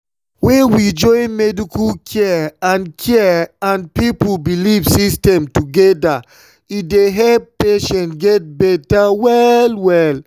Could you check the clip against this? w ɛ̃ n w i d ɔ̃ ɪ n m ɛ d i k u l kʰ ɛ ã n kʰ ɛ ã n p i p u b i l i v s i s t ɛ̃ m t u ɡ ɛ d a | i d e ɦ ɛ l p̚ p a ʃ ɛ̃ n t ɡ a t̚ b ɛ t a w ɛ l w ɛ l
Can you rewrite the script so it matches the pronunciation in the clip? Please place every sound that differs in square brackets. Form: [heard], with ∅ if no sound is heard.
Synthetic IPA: w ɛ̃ n w i [d͡ʒ] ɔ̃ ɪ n m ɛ d i k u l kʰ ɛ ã n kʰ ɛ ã n p i p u b i l i v s i s t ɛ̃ m t u ɡ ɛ d a | i d e ɦ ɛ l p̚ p [e] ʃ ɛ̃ n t ɡ [ɛ] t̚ b ɛ t a w ɛ l w ɛ l

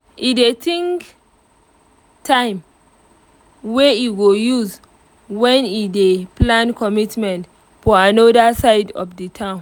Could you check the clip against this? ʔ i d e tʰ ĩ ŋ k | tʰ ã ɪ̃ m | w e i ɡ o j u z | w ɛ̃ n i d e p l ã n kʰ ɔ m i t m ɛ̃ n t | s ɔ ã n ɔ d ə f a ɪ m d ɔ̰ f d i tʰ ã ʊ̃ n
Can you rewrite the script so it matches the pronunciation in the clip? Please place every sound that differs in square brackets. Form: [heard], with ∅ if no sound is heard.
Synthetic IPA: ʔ i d e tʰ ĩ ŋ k | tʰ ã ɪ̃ m | w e i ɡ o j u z | w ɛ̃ n i d e p l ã n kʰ ɔ m i t m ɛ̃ n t | [f] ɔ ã n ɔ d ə [s] a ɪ [∅] d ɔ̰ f d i tʰ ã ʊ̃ n

